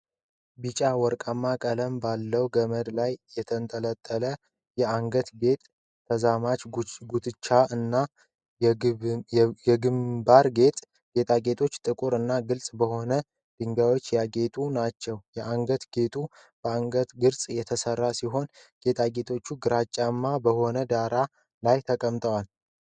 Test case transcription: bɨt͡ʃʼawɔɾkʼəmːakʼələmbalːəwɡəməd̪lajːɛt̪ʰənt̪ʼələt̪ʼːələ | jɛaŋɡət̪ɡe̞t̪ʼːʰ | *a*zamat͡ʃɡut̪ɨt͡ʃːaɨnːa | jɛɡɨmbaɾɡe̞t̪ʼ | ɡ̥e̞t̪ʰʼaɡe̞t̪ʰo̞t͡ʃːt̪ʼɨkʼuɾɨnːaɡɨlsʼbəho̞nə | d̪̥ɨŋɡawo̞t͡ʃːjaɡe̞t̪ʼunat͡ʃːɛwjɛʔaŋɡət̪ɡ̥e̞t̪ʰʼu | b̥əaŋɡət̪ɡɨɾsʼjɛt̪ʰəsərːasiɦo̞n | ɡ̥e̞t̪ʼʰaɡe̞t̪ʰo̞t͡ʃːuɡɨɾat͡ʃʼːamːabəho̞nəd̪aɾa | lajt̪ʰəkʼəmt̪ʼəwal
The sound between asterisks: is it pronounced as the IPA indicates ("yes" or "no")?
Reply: no